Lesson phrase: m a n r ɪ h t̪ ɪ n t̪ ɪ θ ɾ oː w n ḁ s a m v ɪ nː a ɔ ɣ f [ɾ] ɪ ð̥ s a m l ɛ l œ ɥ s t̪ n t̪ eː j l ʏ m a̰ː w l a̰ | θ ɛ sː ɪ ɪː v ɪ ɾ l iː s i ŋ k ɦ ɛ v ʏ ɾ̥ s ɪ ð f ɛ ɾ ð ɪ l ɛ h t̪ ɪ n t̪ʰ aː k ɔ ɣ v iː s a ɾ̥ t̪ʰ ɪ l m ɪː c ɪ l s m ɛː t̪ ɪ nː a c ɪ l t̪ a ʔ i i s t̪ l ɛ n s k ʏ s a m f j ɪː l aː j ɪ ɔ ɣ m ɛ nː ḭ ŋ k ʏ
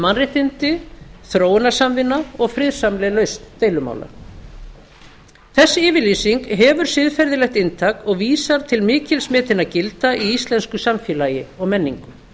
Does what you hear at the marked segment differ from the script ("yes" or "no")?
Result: no